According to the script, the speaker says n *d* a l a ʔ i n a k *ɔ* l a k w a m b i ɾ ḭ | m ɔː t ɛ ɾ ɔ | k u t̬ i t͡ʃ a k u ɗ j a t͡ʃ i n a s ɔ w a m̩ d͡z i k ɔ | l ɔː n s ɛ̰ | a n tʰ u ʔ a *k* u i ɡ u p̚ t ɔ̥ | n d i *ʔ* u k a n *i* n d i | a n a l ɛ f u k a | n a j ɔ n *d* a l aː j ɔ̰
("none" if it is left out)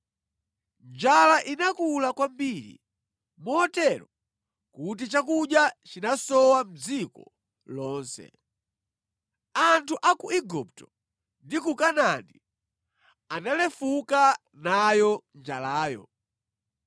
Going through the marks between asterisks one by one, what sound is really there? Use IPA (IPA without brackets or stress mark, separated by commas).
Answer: d͡ʒ, u, k, k, a, d͡ʒ